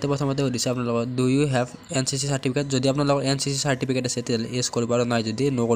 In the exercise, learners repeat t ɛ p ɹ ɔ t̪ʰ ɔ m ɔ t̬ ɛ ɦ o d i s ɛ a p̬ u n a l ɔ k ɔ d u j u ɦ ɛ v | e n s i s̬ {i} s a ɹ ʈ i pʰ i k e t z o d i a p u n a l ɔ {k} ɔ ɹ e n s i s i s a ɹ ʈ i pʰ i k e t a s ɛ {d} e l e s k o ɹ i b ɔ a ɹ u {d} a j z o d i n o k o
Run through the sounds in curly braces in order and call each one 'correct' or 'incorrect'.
correct, correct, incorrect, incorrect

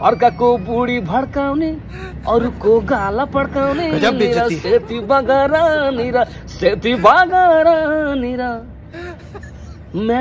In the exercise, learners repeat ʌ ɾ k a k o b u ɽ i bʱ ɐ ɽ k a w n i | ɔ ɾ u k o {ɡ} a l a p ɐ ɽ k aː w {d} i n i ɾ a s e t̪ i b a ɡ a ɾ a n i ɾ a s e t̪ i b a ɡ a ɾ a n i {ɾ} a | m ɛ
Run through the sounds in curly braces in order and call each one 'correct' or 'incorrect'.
correct, incorrect, correct

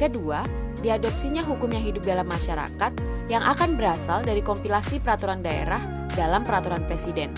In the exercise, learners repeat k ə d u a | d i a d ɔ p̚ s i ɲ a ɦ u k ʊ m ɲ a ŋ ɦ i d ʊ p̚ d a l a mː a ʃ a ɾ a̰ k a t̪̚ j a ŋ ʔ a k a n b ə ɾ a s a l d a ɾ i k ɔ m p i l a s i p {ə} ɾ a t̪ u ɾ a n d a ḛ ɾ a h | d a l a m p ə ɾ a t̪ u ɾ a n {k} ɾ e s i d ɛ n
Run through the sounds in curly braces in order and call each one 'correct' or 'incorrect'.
correct, incorrect

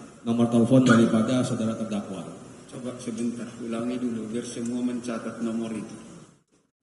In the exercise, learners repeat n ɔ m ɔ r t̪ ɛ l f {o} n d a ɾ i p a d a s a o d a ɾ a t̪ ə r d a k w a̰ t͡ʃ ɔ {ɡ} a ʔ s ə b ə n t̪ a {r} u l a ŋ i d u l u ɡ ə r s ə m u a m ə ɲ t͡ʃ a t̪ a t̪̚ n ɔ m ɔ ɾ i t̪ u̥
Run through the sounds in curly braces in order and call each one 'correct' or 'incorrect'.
incorrect, incorrect, correct

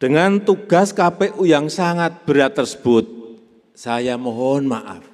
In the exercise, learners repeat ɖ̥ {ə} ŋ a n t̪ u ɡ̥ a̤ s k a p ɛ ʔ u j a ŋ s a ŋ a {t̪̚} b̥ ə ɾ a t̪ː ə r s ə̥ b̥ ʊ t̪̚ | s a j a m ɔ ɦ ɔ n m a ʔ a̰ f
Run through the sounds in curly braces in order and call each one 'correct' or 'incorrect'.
correct, correct

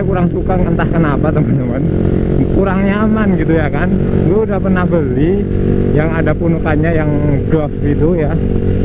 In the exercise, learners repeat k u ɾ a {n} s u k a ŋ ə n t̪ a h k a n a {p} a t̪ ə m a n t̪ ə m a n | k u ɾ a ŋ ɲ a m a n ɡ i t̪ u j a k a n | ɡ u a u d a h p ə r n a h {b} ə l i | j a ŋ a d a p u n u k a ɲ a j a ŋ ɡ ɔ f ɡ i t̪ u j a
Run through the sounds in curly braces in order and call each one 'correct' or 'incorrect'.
incorrect, correct, correct

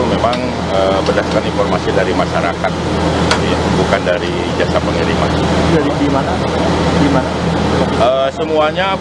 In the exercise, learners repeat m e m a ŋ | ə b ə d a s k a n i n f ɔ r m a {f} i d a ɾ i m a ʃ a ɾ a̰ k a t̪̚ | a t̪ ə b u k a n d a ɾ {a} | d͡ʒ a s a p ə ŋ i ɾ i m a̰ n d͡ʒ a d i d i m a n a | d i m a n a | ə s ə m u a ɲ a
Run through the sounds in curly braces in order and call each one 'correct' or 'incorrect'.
incorrect, incorrect

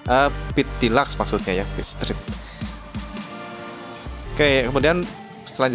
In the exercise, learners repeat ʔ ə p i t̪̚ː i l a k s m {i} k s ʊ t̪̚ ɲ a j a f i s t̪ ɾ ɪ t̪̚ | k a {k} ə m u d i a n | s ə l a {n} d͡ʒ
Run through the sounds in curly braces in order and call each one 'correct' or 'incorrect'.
incorrect, correct, incorrect

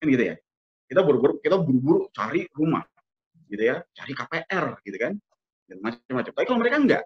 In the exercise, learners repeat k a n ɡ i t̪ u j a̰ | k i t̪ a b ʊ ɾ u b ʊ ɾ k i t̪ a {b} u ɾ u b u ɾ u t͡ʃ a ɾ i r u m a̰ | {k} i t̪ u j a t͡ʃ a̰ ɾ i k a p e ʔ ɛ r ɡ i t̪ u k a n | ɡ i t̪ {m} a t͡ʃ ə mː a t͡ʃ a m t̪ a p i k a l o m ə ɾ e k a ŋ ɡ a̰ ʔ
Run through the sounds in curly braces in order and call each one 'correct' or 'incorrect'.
correct, incorrect, correct

